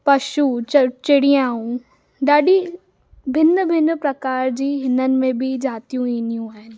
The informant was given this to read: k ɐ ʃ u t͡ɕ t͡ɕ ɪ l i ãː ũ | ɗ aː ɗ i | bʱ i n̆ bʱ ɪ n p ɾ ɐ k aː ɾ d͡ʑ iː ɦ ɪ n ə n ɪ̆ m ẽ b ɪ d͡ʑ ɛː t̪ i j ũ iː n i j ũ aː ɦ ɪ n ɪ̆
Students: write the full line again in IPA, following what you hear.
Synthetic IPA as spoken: p ɐ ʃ u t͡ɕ t͡ɕ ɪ ɽ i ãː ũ | ɗ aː ɗ i | bʱ ɪ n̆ bʱ ɪ n p ɾ ɐ k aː ɾ d͡ʑ iː ɦ ɪ n ə n ɪ̆ m ẽ b ɪ d͡ʑ aː t̪ i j ũ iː n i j ũ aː ɦ ɪ n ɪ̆